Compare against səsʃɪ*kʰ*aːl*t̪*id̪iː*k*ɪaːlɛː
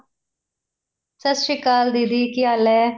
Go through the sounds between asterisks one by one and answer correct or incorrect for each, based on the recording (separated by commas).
incorrect, incorrect, correct